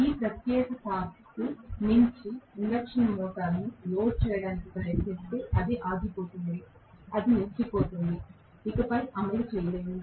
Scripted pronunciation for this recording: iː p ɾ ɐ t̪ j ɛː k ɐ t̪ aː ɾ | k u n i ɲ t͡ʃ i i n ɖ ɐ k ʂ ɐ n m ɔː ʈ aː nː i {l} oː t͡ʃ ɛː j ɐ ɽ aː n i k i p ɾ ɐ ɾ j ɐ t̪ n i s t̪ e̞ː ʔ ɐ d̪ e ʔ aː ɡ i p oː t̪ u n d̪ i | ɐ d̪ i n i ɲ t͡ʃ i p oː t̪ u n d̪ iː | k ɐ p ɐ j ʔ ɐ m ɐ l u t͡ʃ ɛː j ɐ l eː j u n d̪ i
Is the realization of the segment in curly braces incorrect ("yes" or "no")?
no